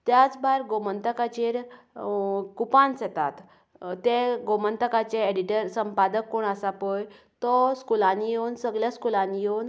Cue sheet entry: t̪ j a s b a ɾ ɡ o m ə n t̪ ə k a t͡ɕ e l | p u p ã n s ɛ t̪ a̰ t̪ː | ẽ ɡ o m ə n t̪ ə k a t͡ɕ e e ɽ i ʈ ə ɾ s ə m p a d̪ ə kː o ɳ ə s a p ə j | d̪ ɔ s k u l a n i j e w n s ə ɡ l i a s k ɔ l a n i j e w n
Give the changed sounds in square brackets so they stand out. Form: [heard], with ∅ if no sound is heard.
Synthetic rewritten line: t̪ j a [t͡s] b a ɾ ɡ o m ə n t̪ ə k a t͡ɕ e [ɾ] | [k] u p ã n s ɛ t̪ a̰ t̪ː | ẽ ɡ o m ə n t̪ ə k a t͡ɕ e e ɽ i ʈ ə ɾ s ə m p a d̪ ə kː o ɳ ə s a p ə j | [t̪] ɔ s k u l a n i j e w n s ə ɡ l [j] a s k [u] l a n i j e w n